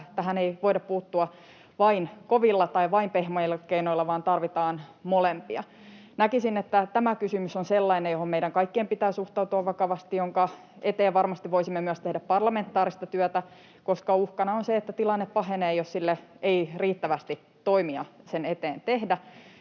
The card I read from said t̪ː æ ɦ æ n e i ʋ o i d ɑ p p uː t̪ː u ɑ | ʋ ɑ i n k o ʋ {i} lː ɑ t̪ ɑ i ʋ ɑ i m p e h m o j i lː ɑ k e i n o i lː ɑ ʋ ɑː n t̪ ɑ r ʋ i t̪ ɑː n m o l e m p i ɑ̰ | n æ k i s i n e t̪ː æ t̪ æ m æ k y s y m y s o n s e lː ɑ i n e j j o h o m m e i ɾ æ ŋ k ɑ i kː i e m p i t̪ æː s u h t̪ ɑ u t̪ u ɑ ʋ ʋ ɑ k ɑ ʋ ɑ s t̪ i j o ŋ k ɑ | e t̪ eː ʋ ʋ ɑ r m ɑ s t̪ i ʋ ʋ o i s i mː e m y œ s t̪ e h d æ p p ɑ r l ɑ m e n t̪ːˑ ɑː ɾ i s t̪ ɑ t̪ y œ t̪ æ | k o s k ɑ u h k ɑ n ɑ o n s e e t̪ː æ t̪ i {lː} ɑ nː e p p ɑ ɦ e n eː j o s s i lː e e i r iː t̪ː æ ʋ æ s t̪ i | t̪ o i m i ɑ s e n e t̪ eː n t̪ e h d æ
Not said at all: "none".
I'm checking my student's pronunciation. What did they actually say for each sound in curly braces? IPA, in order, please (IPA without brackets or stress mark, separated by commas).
i, l